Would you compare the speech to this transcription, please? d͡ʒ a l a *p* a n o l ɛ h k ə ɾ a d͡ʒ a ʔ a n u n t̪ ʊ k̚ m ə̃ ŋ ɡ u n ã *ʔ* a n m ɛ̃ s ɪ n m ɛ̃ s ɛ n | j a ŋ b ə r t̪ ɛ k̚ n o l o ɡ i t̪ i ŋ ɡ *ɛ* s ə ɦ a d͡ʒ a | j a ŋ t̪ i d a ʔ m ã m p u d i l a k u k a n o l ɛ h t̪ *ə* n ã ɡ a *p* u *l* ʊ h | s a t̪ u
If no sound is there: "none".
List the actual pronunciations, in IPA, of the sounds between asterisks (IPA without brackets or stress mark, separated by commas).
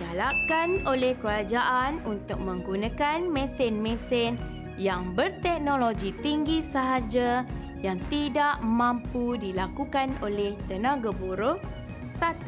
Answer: k, k, i, ə, b, ɾ